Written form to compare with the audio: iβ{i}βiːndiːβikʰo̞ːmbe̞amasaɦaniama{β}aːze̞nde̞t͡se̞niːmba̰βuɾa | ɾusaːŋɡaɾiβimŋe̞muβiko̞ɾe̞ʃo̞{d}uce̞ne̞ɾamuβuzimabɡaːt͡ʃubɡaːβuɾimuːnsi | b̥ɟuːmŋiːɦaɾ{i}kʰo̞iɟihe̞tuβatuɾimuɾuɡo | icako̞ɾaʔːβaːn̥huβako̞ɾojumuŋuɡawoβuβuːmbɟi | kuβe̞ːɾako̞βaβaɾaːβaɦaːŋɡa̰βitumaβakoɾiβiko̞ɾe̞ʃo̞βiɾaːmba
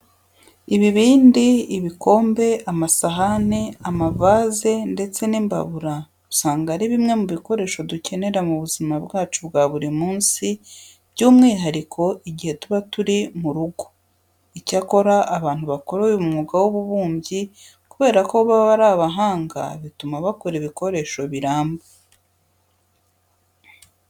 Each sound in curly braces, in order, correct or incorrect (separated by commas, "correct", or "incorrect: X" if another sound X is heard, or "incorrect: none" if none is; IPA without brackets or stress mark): correct, incorrect: v, correct, correct